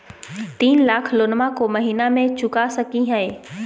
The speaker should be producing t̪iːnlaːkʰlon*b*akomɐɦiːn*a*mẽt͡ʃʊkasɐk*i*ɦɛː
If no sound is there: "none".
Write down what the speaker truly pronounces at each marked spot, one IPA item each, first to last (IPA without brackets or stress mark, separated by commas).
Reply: m, a, i